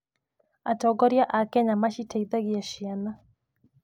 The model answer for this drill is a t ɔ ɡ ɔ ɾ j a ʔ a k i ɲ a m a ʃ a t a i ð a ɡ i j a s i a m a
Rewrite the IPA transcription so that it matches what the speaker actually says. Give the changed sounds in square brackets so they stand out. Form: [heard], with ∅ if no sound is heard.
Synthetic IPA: a t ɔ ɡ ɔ ɾ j a ʔ a k [ɛ] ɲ a m a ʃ [i] t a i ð a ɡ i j a [ʃ] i a [n] a